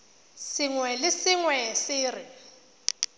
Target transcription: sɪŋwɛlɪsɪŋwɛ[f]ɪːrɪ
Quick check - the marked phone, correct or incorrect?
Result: incorrect